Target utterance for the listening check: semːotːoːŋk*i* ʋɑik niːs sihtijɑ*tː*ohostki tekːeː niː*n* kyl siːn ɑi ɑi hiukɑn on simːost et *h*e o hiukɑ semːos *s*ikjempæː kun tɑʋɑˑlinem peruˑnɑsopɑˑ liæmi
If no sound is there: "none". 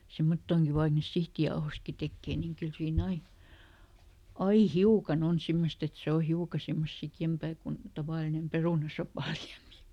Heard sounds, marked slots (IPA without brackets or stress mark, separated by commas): i, none, ŋ, s, s